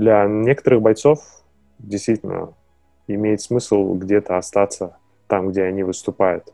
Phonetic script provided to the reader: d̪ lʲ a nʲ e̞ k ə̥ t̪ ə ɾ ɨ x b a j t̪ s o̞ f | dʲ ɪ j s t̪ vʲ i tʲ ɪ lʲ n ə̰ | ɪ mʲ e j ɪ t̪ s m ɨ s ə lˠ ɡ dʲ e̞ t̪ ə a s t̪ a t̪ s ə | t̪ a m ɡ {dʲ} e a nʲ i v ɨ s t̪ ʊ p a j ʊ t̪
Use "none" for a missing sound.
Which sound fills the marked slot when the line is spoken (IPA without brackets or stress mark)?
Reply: dʲ